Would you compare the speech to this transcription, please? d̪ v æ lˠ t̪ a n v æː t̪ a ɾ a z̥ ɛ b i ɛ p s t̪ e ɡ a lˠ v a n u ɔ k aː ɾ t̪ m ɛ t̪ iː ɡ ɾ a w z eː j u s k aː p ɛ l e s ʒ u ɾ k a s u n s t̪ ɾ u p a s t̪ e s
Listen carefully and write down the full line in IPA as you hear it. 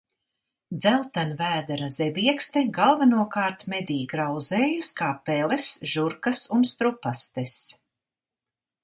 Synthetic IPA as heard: d̪ z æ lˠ t̪ a n v æː d̪ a ɾ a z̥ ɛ b i ɛ k s t̪ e ɡ a lˠ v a n u ɔ k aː ɾ t̪ m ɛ d̪ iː ɡ ɾ a w z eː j u s k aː p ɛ l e s ʒ u ɾ k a s u n s t̪ ɾ u p a s t̪ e s

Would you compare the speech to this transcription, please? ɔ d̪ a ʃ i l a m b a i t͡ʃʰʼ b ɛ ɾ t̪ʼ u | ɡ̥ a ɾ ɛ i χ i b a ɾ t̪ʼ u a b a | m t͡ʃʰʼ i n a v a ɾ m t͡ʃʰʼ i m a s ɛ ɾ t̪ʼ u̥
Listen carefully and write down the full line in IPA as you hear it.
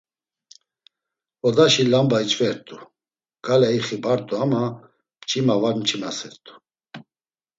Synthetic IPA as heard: ɔ d̪ a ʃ i l a m b a i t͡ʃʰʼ v ɛ ɾ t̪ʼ u | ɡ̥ a l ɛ i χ i b a ɾ t̪ʼ u a m a | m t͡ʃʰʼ i m a v a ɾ m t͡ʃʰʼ i m a s ɛ ɾ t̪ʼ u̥

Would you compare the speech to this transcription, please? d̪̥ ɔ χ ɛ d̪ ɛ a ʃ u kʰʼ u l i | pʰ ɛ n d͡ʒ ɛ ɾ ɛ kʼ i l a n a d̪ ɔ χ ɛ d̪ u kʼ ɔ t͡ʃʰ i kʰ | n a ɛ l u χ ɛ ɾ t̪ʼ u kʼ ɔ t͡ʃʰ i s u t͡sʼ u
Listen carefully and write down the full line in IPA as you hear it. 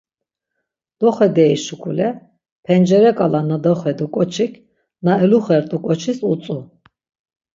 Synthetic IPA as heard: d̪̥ ɔ χ ɛ d̪ ɛ i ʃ u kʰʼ u l ɛ | pʰ ɛ n d͡ʒ ɛ ɾ ɛ kʼ a l a n a d̪ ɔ χ ɛ d̪ u kʼ ɔ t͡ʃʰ i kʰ | n a ɛ l u χ ɛ ɾ t̪ʼ u kʼ ɔ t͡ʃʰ i s u t͡sʼ u

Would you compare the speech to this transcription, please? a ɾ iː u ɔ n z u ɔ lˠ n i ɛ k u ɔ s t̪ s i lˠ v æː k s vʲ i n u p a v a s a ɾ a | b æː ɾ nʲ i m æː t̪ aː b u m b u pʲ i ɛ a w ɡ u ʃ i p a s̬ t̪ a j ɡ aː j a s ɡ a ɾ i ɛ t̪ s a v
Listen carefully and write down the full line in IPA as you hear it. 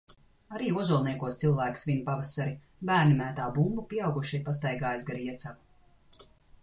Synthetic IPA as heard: a ɾ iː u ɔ z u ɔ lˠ n i ɛ k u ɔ s t̪ s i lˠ v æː k s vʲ i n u p a v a s a ɾ i | b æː ɾ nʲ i m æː t̪ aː b u m b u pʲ i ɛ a w ɡ u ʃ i p a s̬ t̪ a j ɡ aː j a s ɡ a ɾ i ɛ t̪ s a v

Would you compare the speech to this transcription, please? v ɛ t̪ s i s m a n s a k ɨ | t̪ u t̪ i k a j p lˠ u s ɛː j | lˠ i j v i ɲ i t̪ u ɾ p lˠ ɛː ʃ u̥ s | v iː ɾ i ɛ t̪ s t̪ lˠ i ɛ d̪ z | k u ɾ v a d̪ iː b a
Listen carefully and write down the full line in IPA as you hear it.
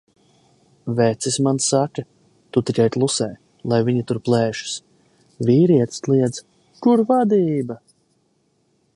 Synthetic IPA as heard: v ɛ t̪ s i s m a n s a k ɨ | t̪ u t̪ i k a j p lˠ u s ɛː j | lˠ a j v i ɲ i t̪ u ɾ p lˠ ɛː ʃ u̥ s | v iː ɾ i ɛ t̪ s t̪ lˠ i ɛ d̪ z | k u ɾ v a d̪ iː b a

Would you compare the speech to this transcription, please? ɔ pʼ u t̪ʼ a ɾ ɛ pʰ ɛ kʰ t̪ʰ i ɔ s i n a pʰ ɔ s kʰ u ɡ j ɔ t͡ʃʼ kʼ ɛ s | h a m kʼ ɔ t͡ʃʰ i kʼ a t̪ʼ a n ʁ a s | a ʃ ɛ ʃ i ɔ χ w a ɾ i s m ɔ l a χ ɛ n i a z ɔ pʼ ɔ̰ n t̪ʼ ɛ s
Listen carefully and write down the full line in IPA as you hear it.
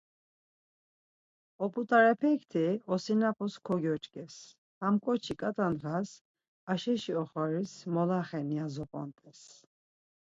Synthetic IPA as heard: ɔ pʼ u t̪ʼ a ɾ ɛ pʰ ɛ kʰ t̪ʰ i ɔ s i n a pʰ ɔ s kʰ ɔ ɡ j ɔ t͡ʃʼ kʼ ɛ s | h a m kʼ ɔ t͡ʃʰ i kʼ a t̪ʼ a n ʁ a s | a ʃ ɛ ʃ i ɔ χ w a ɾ i s m ɔ l a χ ɛ n i a z ɔ pʼ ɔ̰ n t̪ʼ ɛ s

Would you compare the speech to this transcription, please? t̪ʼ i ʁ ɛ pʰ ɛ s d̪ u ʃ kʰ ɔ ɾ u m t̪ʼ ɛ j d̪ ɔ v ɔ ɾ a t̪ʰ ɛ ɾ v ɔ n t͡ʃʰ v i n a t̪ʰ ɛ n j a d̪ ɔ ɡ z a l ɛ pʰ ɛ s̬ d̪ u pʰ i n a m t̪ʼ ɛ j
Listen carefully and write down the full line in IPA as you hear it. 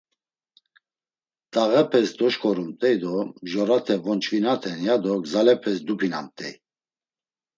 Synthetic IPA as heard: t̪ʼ a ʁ ɛ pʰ ɛ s d̪ ɔ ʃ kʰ ɔ ɾ u m t̪ʼ ɛ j d̪ ɔ ʒ ɔ ɾ a t̪ʰ ɛ v ɔ n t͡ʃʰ v i n a t̪ʰ ɛ n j a d̪ ɔ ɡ z a l ɛ pʰ ɛ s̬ d̪ u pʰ i n a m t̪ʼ ɛ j

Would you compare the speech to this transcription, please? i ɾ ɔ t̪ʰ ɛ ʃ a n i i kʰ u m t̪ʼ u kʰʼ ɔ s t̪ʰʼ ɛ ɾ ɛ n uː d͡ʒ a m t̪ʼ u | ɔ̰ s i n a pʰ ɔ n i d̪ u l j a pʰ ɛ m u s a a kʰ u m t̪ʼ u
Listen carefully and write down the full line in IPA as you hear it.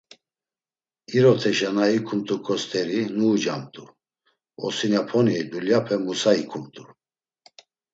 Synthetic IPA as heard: i ɾ ɔ t̪ʰ ɛ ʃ a n a i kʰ u m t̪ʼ u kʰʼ ɔ s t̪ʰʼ ɛ ɾ i n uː d͡ʒ a m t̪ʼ u | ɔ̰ s i n a pʰ ɔ n i d̪ u l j a pʰ ɛ m u s a i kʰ u m t̪ʼ u

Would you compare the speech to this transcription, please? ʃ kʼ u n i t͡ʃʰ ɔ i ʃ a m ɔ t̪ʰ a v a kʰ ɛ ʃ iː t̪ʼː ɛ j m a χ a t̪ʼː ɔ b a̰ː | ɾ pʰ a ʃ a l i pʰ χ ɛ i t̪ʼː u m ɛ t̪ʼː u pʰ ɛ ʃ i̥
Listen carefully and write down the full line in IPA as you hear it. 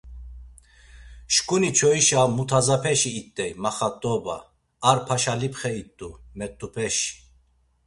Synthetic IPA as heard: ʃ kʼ u n i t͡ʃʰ ɔ i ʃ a m u t̪ʰ a z a pʰ ɛ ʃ iː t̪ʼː ɛ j m a χ a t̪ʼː ɔ b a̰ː | ɾ pʰ a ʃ a l i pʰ χ ɛ i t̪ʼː u m ɛ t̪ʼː u pʰ ɛ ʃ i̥

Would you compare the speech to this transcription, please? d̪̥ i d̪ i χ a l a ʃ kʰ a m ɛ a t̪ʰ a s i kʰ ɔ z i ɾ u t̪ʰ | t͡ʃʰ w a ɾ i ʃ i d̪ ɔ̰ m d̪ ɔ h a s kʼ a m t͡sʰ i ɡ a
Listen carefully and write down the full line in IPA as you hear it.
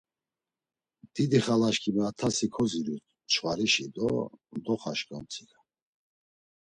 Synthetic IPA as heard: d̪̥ i d̪ i χ a l a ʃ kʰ i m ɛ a t̪ʰ a s i kʰ ɔ z i ɾ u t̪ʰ | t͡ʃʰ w a ɾ i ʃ i d̪ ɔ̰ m d̪ ɔ χ a ʃ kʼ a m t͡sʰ i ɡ a

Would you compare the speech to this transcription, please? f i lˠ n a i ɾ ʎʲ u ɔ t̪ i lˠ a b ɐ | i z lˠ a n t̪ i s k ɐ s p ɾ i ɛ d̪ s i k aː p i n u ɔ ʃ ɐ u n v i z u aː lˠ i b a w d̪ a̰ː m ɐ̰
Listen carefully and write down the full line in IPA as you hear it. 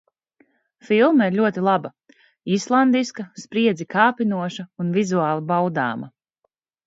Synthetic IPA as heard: f i lˠ m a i ɾ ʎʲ u ɔ t̪ i lˠ a b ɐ | i s lˠ a n d̪ i s k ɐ s p ɾ i ɛ d̪ z i k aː p i n u ɔ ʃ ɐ u n v i z u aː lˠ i b a w d̪ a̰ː m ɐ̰

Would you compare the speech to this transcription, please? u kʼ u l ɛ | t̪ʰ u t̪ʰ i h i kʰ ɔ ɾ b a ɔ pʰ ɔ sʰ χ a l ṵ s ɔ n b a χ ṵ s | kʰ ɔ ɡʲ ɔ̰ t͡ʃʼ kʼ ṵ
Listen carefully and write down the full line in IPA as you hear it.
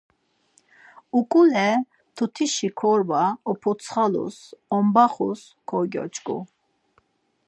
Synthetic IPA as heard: u kʼ u l ɛ | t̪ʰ u t̪ʰ i ʃ i kʰ ɔ ɾ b a ɔ pʰ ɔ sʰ χ a l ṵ s ɔ m b a χ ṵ s | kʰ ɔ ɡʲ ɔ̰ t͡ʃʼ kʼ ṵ

